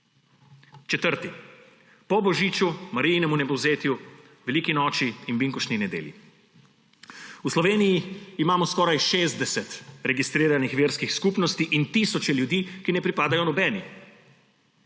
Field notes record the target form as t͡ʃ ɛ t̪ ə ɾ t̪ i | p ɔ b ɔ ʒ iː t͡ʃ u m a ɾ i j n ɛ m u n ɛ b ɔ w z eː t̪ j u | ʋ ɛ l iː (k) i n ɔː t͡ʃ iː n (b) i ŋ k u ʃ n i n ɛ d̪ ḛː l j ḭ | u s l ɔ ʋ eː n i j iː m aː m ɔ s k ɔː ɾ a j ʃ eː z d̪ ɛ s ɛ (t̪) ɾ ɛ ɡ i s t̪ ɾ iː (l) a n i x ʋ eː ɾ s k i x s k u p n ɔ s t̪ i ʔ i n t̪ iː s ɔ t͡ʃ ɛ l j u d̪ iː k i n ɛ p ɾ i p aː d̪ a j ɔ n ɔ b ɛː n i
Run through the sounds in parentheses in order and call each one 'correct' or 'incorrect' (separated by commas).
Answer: correct, correct, correct, incorrect